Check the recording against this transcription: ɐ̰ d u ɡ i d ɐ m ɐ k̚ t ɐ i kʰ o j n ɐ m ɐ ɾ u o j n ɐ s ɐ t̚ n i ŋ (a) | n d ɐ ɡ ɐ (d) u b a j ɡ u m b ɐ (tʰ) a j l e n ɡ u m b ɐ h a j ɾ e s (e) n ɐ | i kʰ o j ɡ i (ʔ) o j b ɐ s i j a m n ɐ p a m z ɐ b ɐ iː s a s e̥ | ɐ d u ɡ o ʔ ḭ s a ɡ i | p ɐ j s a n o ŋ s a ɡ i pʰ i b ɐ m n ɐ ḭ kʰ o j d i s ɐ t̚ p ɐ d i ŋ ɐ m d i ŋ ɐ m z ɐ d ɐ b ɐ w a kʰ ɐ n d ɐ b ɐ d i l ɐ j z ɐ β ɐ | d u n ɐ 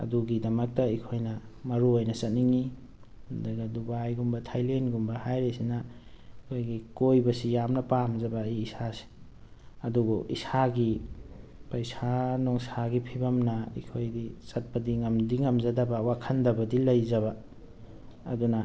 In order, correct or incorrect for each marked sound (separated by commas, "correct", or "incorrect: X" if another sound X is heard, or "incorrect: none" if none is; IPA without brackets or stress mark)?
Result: incorrect: i, correct, correct, incorrect: i, incorrect: k